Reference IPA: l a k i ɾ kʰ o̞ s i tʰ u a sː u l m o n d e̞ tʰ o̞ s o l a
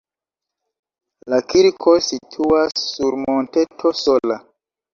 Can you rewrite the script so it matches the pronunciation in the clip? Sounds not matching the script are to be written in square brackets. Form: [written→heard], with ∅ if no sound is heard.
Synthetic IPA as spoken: l a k i ɾ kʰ o̞ s i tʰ u a sː u [l→ɾ] m o n [d→t] e̞ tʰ o̞ s o l a